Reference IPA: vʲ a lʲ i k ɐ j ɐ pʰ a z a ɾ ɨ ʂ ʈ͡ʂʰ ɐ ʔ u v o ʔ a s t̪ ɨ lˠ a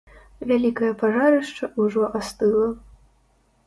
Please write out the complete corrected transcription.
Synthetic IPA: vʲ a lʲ i k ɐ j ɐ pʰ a ʐ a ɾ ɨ ʂ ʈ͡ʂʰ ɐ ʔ u ʐ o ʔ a s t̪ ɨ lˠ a